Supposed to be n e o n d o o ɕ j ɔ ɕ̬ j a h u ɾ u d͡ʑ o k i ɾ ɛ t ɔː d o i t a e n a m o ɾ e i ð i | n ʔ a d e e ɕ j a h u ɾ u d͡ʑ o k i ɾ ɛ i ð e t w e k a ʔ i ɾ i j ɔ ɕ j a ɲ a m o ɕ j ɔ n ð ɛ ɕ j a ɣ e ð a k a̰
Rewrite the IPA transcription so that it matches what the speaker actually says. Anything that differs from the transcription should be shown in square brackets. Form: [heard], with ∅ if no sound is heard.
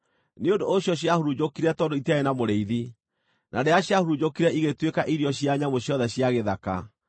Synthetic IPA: n e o n d o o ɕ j ɔ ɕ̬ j a h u ɾ u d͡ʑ o k i ɾ ɛ t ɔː d o i t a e n a m o ɾ e i ð i | n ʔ a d e [a] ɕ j a h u ɾ u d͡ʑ o k i ɾ ɛ i [ɣ] e t w e k a ʔ i ɾ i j ɔ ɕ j a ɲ a m o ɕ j ɔ [∅] ð ɛ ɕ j a ɣ e ð a k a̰